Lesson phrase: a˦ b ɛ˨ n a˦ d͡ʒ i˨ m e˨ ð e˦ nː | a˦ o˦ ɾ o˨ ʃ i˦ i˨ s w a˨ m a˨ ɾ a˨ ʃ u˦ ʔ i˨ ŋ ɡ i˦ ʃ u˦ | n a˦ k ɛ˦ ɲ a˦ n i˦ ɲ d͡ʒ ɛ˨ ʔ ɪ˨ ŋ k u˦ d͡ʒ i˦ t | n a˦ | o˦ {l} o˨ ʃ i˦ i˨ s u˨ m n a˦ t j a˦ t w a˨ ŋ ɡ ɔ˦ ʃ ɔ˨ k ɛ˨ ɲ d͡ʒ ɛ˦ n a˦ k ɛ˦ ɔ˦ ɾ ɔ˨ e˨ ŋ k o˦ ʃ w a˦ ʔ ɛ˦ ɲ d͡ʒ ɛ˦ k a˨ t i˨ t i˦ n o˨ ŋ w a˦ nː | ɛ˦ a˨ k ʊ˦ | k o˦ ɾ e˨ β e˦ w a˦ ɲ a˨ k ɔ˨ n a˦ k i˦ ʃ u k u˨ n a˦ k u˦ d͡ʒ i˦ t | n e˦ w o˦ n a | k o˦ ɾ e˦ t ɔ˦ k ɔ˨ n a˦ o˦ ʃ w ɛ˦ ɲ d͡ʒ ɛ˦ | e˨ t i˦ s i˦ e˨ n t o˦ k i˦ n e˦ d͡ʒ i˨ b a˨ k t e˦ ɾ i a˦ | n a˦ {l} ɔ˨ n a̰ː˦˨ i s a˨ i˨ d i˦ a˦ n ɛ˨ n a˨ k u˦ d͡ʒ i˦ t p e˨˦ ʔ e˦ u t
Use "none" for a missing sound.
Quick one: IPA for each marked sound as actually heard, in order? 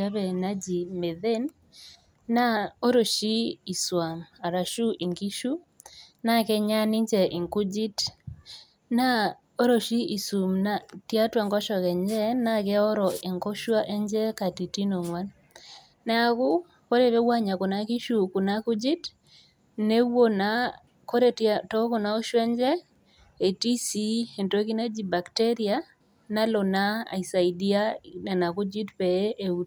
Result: ɾ, l

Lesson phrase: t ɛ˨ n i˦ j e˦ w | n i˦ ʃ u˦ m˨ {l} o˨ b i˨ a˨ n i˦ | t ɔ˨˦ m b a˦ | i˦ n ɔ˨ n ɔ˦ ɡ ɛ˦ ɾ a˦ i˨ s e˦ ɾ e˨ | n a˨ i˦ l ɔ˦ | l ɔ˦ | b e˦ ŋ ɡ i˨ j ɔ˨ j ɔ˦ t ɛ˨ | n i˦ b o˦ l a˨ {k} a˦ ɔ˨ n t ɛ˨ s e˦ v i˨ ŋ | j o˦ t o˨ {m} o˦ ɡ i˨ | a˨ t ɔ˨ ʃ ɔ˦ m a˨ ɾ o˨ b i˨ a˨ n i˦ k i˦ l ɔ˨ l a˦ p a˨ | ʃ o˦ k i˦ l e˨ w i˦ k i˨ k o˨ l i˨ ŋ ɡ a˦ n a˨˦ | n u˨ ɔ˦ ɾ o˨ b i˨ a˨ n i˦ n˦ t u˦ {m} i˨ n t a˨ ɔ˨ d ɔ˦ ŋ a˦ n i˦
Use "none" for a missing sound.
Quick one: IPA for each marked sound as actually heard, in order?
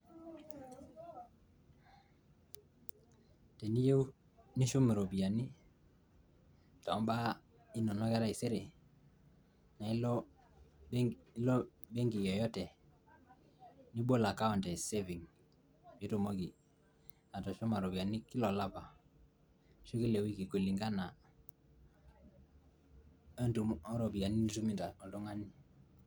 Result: ɾ, k, m, m

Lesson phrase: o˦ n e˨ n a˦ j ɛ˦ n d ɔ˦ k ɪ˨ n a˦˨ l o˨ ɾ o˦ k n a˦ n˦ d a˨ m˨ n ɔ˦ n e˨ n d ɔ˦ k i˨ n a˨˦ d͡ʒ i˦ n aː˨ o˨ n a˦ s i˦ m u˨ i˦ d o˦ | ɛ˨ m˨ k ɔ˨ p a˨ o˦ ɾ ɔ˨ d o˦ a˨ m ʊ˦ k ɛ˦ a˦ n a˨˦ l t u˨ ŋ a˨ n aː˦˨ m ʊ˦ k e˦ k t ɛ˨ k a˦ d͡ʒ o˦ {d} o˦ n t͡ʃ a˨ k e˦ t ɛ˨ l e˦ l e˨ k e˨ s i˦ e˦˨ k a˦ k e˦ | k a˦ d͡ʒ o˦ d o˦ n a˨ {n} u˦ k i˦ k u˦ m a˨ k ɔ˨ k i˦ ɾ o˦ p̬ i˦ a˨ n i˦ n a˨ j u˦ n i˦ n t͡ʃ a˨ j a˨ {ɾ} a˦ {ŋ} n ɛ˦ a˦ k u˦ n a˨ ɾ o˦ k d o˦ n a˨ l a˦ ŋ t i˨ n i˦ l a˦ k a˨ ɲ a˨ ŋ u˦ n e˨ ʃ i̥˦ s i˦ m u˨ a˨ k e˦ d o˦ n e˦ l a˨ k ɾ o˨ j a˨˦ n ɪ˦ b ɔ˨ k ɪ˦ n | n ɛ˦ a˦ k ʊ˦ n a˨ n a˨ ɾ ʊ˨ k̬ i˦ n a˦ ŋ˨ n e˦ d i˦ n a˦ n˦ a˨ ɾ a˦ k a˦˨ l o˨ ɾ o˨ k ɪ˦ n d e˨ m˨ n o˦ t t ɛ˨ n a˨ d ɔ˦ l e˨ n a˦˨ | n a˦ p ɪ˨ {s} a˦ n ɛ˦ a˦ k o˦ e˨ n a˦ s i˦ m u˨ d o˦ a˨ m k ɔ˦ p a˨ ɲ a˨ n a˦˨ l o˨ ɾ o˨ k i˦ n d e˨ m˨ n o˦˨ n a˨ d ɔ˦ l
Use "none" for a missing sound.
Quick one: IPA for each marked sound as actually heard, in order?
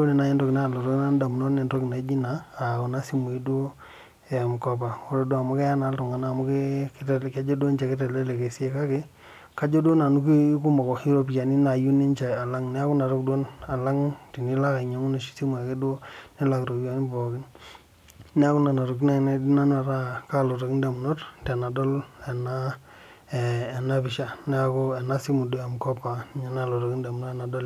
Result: d, n, l, ŋ, ʃ

